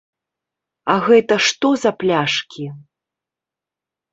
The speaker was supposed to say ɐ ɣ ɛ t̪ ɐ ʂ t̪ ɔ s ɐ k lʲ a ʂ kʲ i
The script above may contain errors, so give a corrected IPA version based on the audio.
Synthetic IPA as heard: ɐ ɣ ɛ t̪ ɐ ʂ t̪ ɔ z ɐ p lʲ a ʂ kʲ i